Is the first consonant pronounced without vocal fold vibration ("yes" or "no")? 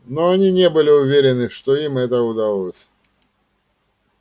no